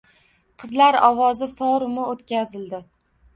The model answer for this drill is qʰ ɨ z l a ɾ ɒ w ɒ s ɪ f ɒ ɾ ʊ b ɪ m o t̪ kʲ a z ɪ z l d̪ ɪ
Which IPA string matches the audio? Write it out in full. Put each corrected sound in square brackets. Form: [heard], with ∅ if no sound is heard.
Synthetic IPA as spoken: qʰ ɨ z l a ɾ ɒ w ɒ [z] ɪ f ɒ ɾ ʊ [m] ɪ [∅] o t̪ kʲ a z ɪ [∅] l d̪ ɪ